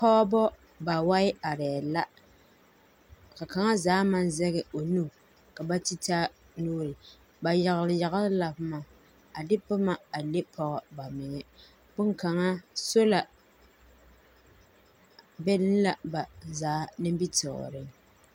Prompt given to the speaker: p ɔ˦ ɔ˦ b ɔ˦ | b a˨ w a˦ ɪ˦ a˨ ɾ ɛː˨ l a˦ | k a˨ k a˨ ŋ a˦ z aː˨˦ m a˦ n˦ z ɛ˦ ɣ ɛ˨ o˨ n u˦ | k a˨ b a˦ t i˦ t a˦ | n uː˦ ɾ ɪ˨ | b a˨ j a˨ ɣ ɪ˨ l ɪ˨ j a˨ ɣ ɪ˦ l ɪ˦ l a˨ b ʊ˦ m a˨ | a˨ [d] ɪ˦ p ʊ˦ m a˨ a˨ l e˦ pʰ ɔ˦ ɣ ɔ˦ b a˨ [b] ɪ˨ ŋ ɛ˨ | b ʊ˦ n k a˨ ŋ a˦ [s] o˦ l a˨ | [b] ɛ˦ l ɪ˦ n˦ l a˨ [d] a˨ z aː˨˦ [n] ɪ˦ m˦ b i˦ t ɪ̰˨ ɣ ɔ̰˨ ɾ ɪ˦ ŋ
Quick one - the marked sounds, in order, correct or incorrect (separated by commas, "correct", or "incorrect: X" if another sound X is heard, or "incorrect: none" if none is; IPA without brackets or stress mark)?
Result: correct, incorrect: m, correct, correct, incorrect: b, correct